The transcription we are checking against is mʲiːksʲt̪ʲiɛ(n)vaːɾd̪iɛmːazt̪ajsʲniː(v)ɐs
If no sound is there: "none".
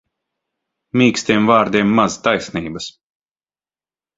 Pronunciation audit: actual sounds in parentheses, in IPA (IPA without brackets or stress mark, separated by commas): m, b